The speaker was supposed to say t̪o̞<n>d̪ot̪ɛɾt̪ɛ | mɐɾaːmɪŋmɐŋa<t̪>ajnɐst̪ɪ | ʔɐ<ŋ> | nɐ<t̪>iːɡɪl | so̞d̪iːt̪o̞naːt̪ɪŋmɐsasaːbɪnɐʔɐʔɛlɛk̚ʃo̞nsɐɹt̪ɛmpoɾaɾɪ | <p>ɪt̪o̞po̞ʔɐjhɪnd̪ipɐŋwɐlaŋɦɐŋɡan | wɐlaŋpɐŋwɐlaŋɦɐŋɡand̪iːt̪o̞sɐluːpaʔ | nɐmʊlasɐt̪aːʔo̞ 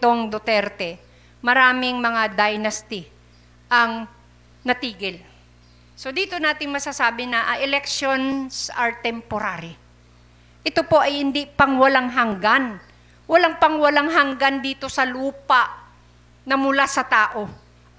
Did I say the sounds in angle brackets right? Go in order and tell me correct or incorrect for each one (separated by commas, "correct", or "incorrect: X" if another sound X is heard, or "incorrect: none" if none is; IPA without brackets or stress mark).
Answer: incorrect: ŋ, incorrect: d̪, correct, correct, incorrect: ʔ